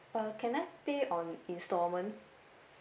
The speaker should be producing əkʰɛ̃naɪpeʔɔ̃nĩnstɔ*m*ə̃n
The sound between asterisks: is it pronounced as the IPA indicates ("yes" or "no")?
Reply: yes